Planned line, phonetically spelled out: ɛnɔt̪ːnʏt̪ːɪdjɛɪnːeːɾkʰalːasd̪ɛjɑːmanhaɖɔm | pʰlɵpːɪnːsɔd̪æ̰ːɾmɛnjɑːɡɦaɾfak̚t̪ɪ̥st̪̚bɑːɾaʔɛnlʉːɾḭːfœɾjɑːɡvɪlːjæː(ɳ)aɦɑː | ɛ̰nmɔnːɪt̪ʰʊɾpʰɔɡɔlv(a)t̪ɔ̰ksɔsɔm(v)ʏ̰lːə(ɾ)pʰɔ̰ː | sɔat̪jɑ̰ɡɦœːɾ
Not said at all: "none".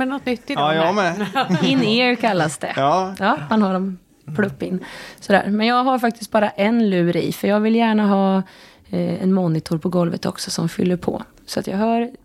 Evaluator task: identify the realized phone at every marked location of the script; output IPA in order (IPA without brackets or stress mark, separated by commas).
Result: ɳ, ə, f, ɾ